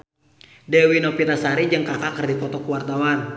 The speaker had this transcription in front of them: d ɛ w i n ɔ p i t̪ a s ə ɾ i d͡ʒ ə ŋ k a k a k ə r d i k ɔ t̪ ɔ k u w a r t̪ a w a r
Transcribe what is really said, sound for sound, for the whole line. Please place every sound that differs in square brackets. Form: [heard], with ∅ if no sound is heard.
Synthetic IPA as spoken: d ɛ w i n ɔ p i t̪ a s [a] ɾ i d͡ʒ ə ŋ k a k a k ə r d i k ɔ t̪ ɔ k u w a r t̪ a w a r